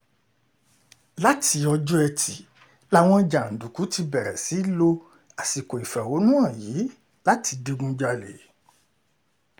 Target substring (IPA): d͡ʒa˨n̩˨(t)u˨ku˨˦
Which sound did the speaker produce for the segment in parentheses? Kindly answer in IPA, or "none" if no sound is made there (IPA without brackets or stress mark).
d